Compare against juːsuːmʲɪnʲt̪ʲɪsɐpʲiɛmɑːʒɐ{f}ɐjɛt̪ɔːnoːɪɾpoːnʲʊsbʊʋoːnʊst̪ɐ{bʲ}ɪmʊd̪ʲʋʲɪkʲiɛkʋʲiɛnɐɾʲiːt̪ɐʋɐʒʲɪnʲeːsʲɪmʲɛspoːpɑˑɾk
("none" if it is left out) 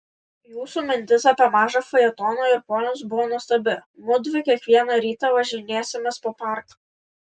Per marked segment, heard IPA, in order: f, bʲ

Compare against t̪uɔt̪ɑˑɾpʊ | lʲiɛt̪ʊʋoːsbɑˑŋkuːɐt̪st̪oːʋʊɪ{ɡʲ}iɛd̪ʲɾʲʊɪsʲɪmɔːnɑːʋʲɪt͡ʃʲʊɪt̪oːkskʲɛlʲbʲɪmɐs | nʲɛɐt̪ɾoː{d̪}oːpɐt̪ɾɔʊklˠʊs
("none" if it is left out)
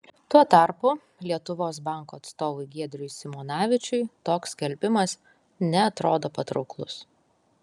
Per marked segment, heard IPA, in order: ɡʲ, d̪

